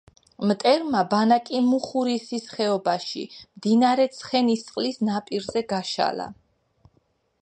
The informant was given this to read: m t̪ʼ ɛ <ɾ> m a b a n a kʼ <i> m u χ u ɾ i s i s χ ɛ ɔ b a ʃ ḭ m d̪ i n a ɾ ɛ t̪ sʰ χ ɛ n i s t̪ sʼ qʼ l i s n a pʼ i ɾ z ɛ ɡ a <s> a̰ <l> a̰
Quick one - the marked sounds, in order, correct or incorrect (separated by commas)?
correct, correct, incorrect, correct